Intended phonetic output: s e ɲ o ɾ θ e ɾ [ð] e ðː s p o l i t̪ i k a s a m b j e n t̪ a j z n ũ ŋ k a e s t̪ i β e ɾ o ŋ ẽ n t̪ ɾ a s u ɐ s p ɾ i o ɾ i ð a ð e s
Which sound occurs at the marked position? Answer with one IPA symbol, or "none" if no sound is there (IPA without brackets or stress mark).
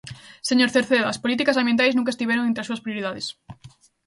θ